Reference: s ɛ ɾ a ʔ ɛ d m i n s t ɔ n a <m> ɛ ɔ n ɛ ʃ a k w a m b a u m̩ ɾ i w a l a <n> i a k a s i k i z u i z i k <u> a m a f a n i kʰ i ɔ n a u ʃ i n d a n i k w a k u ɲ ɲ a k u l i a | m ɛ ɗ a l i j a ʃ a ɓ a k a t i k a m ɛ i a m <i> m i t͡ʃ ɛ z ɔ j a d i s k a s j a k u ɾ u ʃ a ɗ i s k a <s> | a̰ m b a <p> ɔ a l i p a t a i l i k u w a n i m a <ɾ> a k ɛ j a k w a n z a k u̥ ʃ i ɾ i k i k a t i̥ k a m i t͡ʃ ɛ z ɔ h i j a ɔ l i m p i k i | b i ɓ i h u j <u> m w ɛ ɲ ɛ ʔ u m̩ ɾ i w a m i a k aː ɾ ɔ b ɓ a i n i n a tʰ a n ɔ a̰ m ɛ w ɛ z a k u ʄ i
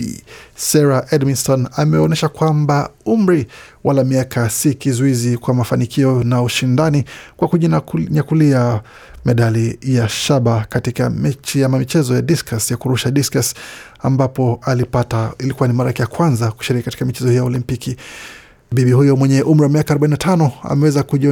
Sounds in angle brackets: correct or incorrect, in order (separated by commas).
correct, incorrect, incorrect, incorrect, correct, correct, correct, incorrect